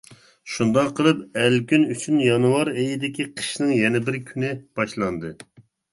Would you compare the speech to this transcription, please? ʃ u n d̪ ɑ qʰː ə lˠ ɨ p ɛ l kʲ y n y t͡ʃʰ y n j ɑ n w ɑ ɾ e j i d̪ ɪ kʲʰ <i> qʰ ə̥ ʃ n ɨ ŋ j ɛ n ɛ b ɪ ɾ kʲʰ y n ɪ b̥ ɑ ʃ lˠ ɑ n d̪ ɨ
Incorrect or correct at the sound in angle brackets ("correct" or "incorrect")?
correct